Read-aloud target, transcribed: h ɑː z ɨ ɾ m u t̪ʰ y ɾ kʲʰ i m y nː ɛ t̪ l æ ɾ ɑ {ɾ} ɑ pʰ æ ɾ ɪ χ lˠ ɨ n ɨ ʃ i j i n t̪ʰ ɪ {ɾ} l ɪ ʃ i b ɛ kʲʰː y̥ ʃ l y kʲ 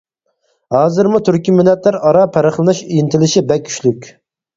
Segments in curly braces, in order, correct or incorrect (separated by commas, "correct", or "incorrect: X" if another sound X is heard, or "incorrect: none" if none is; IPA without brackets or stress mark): correct, incorrect: none